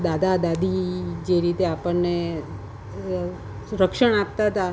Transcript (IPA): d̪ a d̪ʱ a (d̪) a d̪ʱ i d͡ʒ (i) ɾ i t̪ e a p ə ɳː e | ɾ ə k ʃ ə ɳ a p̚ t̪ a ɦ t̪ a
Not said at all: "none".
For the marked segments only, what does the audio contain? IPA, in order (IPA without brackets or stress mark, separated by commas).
d̪, e